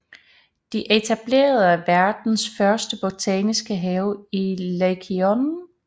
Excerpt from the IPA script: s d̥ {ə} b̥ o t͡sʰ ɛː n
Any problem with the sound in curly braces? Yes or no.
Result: no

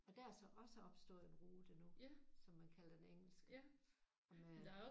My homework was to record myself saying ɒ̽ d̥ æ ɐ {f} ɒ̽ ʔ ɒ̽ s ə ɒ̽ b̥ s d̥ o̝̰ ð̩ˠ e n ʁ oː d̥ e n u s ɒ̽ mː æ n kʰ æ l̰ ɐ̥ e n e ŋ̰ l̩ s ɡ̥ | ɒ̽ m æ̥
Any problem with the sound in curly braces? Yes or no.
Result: yes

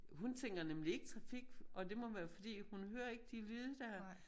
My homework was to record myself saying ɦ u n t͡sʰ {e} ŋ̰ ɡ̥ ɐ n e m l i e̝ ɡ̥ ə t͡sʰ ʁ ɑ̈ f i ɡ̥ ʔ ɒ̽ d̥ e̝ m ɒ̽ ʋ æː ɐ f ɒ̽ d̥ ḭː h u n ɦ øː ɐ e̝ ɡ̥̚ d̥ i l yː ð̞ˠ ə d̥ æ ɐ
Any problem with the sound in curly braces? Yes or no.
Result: no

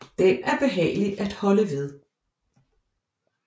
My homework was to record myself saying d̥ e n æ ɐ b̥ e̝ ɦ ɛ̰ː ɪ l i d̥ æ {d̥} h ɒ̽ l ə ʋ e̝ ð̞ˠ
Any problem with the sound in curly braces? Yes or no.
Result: no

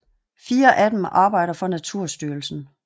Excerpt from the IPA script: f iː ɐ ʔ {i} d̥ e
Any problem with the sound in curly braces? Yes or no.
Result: yes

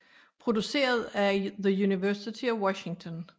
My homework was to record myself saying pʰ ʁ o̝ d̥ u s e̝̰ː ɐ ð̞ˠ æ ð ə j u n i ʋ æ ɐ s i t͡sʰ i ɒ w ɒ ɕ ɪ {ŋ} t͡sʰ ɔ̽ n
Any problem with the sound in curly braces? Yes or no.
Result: no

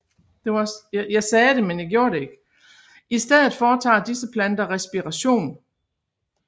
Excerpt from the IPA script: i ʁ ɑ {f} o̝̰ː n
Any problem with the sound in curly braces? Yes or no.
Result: yes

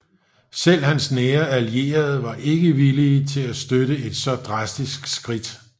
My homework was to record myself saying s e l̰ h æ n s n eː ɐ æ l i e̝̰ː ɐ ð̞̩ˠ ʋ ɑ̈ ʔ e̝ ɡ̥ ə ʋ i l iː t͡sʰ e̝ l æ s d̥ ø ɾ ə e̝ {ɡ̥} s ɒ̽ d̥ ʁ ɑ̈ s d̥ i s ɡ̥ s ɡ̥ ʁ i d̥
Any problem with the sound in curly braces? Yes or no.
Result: yes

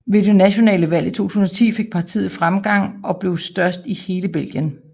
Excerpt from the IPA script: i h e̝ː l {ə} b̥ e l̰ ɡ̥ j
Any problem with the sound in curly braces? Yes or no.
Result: no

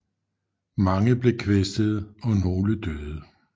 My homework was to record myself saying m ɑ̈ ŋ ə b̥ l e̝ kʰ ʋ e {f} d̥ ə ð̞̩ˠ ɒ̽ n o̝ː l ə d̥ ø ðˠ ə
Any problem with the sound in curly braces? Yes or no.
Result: yes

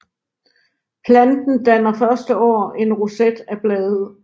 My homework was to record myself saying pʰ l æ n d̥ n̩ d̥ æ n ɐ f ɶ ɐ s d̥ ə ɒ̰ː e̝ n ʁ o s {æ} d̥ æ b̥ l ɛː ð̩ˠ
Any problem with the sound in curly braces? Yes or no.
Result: yes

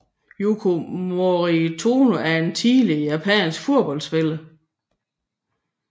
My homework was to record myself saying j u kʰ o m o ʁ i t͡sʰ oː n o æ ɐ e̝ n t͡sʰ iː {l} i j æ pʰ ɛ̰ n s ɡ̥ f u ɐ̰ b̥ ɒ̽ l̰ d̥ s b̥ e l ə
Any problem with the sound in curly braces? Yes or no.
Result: no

